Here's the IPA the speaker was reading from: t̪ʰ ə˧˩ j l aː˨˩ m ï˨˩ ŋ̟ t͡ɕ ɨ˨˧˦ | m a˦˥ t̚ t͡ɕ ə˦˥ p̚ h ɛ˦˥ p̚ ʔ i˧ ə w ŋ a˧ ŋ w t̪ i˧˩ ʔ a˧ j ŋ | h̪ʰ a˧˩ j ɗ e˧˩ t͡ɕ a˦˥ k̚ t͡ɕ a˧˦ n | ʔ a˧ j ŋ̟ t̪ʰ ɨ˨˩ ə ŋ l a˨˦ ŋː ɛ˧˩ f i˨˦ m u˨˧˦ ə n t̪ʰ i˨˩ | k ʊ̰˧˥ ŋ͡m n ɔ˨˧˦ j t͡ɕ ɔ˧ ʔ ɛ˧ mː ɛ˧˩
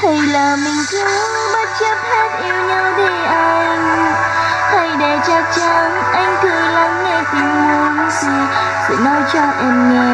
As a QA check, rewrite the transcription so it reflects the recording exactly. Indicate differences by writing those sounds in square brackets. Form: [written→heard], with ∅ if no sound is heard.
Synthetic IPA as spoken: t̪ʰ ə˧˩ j l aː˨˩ m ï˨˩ ŋ̟ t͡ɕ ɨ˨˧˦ | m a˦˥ t̚ t͡ɕ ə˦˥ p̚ h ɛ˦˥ [p̚→t̚] ʔ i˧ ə w [ŋ→ɲ] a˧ [ŋ→∅] w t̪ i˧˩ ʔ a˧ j ŋ | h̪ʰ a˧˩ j ɗ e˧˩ t͡ɕ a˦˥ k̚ t͡ɕ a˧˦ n | ʔ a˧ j ŋ̟ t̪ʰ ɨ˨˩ ə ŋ l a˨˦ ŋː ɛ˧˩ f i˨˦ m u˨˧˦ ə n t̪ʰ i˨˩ | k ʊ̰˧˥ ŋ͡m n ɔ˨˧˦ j t͡ɕ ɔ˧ ʔ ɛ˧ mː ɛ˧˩

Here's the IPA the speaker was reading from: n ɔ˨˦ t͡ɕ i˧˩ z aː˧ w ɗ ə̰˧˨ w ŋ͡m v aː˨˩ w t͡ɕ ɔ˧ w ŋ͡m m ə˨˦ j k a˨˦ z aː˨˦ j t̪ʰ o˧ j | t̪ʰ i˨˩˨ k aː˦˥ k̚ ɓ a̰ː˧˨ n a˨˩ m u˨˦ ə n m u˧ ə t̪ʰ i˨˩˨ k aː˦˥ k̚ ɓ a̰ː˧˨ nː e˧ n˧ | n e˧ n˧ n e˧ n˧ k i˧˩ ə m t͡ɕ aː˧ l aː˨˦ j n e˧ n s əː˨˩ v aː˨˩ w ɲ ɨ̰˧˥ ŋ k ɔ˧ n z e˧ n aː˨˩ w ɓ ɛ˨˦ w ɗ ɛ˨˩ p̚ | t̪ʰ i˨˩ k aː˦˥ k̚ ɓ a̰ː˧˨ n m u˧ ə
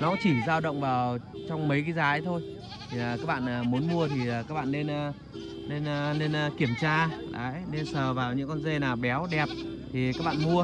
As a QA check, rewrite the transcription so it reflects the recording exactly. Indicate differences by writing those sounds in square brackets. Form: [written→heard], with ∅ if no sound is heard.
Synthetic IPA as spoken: n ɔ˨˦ t͡ɕ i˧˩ z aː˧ w ɗ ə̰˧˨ w ŋ͡m v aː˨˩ w t͡ɕ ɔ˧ w ŋ͡m m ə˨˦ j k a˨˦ z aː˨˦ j t̪ʰ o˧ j | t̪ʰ i˨˩˨ k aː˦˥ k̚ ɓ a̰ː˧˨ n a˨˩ m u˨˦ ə n m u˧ ə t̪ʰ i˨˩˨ k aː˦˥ k̚ ɓ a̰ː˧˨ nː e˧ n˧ | n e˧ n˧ n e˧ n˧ k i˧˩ ə m t͡ɕ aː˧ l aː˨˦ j n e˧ n s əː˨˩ v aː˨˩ w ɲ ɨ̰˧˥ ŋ k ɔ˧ n z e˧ n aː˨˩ w ɓ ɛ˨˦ w ɗ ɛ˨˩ p̚ | t̪ʰ i˨˩ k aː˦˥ k̚ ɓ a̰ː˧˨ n m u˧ ə

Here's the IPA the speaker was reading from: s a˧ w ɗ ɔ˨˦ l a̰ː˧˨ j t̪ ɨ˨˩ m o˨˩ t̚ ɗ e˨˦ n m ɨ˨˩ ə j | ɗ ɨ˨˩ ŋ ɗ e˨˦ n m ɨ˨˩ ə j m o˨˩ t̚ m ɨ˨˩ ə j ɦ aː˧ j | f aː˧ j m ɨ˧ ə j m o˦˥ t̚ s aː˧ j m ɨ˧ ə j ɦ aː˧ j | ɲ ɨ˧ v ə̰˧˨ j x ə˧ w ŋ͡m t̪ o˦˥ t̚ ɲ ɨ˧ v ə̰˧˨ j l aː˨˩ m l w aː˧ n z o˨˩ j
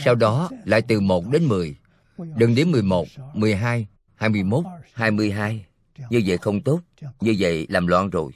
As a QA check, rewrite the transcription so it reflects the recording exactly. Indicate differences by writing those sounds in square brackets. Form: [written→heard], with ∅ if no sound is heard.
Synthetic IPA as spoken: s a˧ w ɗ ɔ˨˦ l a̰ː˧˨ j t̪ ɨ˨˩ m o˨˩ t̚ ɗ e˨˦ n m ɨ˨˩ ə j | ɗ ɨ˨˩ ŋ ɗ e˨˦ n m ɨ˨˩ ə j m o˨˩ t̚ m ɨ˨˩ ə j ɦ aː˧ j | [f→h] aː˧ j m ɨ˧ ə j m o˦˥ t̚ [s→h] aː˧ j m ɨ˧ ə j ɦ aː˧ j | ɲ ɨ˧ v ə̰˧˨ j x ə˧ w ŋ͡m t̪ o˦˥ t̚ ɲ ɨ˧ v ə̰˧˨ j l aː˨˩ m l w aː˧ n z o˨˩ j

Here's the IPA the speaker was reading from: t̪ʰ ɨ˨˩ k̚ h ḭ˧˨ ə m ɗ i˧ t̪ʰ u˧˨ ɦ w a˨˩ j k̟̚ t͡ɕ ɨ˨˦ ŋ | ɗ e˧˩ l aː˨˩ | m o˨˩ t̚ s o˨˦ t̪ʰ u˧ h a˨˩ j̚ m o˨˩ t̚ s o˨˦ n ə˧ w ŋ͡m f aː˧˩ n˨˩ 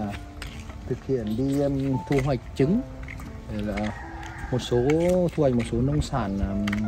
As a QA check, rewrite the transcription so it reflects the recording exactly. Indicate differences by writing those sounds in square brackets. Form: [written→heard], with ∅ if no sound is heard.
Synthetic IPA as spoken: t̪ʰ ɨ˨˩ k̚ h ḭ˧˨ ə [m→n] ɗ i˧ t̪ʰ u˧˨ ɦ w a˨˩ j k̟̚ t͡ɕ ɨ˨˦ ŋ | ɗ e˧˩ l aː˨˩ | m o˨˩ t̚ s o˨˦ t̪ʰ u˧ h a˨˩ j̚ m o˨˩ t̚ s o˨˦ n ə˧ w ŋ͡m [f→s] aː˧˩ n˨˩

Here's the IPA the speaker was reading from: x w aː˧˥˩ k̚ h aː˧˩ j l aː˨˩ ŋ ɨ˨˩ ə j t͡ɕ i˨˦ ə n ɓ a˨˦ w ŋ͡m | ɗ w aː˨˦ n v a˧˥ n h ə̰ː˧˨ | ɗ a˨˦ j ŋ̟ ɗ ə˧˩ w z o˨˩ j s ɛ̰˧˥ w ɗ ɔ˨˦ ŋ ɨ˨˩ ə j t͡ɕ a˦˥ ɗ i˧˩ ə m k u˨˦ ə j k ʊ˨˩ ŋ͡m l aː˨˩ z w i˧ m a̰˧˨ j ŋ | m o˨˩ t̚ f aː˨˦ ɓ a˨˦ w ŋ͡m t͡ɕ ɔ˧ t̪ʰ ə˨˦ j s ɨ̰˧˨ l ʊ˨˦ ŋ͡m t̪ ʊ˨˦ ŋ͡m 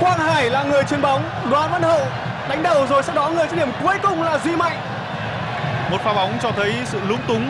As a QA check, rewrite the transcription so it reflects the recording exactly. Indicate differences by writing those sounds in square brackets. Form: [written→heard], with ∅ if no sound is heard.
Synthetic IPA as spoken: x w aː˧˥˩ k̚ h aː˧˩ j l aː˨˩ ŋ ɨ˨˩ ə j t͡ɕ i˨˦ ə n ɓ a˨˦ w ŋ͡m | ɗ w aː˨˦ n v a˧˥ n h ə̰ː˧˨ | ɗ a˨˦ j ŋ̟ ɗ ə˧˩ w z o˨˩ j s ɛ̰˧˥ w ɗ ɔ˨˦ ŋ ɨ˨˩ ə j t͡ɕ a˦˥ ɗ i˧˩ ə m k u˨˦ ə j k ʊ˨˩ ŋ͡m l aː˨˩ z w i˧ m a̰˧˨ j ŋ | m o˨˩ t̚ f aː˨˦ ɓ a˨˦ w ŋ͡m t͡ɕ ɔ˧ t̪ʰ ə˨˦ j s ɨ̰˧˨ l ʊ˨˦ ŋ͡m t̪ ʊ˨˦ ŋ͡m

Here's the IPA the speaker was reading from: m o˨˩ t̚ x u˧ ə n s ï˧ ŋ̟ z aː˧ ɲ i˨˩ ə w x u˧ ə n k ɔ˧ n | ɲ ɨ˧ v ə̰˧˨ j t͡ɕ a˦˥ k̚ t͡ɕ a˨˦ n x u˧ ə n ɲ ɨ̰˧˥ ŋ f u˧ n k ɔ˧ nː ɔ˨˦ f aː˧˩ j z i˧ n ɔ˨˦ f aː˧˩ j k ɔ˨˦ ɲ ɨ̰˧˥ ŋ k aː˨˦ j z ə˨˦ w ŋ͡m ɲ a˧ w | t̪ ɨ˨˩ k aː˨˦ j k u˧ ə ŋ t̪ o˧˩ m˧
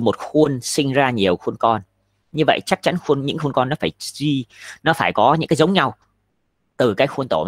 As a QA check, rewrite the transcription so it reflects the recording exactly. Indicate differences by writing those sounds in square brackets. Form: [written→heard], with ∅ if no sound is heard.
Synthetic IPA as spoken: m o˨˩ t̚ x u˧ ə n s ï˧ ŋ̟ z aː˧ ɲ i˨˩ ə w x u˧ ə n k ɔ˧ n | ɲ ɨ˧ v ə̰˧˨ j t͡ɕ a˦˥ k̚ t͡ɕ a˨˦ n x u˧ ə n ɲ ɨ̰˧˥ ŋ [f→x] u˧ n k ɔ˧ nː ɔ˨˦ f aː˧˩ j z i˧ n ɔ˨˦ f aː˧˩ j k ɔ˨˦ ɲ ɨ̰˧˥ ŋ k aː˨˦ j z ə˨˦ w ŋ͡m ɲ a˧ w | t̪ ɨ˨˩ k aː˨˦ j [k→x] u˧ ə [ŋ→n] t̪ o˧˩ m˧

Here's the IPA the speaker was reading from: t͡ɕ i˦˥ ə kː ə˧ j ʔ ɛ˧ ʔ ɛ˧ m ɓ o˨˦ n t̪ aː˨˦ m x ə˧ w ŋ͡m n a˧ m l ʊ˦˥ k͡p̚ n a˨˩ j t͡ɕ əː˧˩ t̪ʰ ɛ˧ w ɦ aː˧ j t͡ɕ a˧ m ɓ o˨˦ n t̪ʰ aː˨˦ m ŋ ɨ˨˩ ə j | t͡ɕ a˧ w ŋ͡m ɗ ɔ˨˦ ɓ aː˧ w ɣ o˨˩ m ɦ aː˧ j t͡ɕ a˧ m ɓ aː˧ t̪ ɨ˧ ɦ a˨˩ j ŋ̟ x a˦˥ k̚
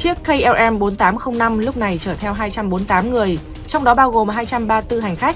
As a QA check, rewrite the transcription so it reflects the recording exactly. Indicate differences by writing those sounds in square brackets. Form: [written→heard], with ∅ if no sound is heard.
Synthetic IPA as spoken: t͡ɕ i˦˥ ə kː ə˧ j ʔ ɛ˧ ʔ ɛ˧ m ɓ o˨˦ n t̪ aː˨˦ m x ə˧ w ŋ͡m n a˧ m l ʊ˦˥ k͡p̚ n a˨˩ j t͡ɕ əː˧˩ t̪ʰ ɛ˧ w ɦ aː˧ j t͡ɕ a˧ m ɓ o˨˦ n [t̪ʰ→t̪] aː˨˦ m ŋ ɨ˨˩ ə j | t͡ɕ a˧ w ŋ͡m ɗ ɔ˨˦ ɓ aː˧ w ɣ o˨˩ m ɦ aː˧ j t͡ɕ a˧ m ɓ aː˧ t̪ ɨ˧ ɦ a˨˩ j ŋ̟ x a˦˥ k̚

